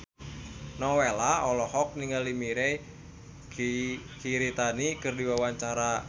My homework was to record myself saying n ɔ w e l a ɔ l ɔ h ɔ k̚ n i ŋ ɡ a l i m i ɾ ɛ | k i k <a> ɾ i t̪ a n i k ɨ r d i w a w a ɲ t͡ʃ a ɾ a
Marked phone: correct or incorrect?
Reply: incorrect